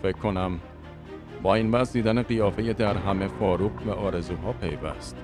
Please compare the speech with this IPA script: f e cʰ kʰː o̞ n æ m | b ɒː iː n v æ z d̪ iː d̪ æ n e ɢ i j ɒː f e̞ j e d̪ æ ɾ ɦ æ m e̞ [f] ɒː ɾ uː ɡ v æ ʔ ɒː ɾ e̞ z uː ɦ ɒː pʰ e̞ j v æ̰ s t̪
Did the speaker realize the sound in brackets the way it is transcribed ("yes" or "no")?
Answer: yes